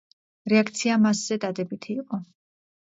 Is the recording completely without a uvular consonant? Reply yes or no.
no